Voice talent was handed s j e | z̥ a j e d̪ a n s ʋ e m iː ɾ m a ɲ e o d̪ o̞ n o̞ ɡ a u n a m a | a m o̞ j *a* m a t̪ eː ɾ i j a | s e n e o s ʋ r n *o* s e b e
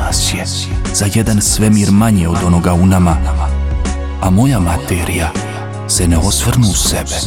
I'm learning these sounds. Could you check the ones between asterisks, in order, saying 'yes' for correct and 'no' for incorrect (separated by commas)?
yes, no